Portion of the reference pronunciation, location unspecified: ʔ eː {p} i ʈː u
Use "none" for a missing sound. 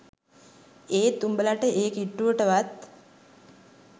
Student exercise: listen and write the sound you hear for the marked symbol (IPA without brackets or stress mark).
k